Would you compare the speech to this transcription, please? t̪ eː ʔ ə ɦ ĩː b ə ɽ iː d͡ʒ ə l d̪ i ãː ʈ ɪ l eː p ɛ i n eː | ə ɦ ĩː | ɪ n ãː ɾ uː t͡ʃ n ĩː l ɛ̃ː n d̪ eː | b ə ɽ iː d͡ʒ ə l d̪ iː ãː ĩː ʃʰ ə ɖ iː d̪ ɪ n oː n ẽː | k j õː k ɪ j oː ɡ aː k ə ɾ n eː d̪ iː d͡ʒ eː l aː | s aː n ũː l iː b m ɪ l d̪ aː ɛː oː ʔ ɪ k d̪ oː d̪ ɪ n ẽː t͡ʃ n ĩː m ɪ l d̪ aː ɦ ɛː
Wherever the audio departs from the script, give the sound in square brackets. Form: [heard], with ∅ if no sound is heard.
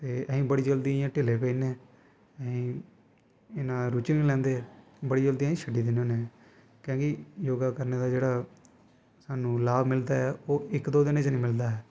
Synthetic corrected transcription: t̪ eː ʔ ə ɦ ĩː b ə ɽ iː d͡ʒ ə l d̪ i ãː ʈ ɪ l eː p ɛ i n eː | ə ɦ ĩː | ɪ n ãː ɾ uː t͡ʃ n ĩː l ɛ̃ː n d̪ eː | b ə ɽ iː d͡ʒ ə l d̪ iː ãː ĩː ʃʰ ə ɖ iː d̪ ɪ n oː n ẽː | k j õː k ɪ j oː ɡ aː k ə ɾ n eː d̪ [aː] d͡ʒ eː [ɽ] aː | s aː n ũː l [aː] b m ɪ l d̪ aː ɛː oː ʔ ɪ k d̪ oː d̪ ɪ n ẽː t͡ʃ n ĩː m ɪ l d̪ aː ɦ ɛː